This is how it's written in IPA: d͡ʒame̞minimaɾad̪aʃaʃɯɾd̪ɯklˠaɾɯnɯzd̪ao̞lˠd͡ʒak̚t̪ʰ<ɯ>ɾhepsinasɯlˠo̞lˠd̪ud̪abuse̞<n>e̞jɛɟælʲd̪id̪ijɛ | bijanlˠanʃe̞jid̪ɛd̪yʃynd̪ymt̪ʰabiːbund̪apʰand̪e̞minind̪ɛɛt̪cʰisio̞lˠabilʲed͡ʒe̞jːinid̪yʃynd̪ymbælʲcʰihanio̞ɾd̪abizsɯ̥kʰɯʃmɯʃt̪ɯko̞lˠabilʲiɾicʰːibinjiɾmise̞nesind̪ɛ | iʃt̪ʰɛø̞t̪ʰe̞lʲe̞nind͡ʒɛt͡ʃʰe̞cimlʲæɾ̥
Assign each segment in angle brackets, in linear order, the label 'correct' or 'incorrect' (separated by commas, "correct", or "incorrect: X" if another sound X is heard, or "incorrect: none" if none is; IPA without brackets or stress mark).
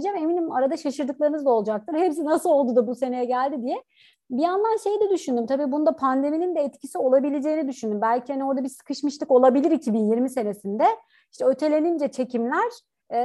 correct, correct